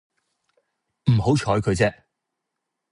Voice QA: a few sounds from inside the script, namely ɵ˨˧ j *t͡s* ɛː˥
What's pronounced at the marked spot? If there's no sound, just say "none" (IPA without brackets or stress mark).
t͡s